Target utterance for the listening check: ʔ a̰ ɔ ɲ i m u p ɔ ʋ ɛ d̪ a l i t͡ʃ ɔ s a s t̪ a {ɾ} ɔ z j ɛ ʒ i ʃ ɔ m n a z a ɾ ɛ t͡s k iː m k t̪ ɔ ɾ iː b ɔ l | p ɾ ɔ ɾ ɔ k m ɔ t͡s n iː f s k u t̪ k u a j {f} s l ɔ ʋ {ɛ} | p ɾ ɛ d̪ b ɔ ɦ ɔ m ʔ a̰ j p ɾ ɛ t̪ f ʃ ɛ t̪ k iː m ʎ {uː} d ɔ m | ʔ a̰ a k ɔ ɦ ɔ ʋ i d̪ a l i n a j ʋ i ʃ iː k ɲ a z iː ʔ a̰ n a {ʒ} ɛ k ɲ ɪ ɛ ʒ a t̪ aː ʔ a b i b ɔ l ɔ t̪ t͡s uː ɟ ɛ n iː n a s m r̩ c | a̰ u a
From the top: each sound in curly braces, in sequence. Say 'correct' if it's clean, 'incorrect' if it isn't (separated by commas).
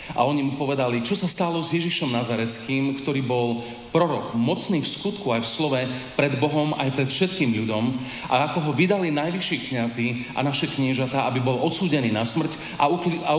incorrect, correct, correct, incorrect, incorrect